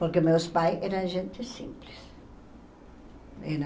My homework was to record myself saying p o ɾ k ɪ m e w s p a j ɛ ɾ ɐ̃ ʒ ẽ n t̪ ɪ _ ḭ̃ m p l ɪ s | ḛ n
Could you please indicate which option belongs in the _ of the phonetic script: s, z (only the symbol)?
s